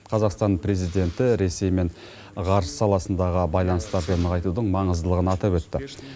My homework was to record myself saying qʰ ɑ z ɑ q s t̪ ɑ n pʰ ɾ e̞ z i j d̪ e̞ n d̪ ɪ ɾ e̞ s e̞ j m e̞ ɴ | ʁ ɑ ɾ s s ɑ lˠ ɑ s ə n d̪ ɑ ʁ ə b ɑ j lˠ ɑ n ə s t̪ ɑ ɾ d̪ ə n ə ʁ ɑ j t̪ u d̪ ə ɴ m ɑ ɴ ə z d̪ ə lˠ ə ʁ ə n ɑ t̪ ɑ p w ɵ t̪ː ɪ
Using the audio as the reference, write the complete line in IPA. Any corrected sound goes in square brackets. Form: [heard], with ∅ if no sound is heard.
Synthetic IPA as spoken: qʰ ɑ z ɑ q s t̪ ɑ n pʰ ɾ e̞ z i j d̪ e̞ n [t̪] ɪ ɾ e̞ s e̞ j m e̞ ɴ | ʁ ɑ ɾ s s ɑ lˠ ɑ s ə n d̪ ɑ ʁ ə b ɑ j lˠ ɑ n ə s t̪ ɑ ɾ d̪ ə n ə ʁ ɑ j t̪ u d̪ ə ɴ m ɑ ɴ ə z d̪ ə lˠ ə ʁ ə n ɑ t̪ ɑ p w ɵ t̪ː ɪ